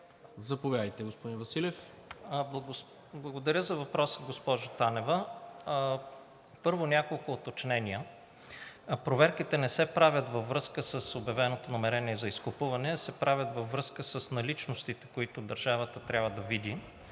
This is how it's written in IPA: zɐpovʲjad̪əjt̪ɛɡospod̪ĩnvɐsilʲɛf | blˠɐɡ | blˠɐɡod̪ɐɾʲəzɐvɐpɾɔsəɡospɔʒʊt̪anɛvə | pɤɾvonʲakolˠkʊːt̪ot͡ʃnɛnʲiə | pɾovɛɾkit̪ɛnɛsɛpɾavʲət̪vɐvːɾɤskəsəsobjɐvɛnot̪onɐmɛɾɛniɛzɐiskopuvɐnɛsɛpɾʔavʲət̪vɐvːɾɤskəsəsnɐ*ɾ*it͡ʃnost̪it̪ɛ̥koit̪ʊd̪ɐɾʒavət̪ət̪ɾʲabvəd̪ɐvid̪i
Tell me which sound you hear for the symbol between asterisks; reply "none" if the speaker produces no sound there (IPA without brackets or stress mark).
l